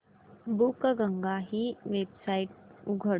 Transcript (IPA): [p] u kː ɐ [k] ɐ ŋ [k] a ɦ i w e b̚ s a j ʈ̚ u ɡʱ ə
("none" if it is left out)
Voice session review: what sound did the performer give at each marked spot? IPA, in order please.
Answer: b, ɡ, ɡ

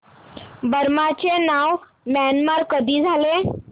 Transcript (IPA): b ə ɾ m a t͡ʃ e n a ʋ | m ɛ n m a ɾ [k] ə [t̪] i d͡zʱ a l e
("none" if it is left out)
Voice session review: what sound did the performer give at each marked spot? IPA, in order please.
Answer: k, d̪

